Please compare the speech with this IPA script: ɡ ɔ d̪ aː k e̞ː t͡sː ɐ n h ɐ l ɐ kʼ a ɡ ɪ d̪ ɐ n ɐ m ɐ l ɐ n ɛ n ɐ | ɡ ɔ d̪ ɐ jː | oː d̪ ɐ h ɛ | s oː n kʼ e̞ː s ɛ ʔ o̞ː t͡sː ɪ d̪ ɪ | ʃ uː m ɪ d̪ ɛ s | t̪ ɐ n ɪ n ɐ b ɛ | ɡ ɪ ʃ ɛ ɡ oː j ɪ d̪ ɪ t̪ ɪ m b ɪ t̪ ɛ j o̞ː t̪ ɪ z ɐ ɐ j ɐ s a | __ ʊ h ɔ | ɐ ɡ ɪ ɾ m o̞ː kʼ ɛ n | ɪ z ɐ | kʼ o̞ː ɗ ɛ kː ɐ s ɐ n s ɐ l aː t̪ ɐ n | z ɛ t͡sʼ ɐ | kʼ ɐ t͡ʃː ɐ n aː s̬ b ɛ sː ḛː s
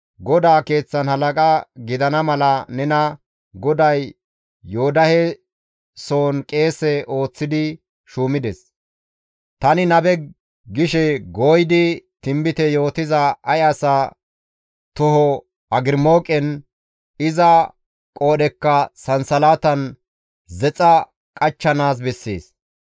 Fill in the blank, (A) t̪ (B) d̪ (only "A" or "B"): A